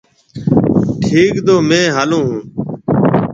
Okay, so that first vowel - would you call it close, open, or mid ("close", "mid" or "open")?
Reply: close